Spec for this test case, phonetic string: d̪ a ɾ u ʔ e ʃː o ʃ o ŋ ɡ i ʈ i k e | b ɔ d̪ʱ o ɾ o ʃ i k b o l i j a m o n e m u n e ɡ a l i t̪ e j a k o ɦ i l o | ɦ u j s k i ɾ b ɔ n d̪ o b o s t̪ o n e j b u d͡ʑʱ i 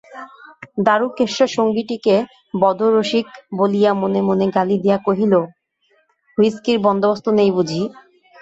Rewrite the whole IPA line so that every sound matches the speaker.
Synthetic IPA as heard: d̪ a ɾ u k e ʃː o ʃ o ŋ ɡ i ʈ i k e | b ɔ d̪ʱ o ɾ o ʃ i k b o l i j a m o n e m o n e ɡ a l i d̪ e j a k o ɦ i l o | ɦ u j s k i ɾ b ɔ n d̪ o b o s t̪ o n e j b u d͡ʑʱ i